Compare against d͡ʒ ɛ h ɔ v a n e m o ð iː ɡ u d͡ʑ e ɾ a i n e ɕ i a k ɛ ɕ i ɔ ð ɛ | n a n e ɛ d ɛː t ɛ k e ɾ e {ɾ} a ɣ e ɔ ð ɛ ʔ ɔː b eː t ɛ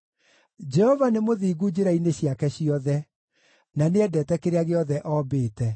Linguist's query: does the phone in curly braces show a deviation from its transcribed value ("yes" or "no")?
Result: yes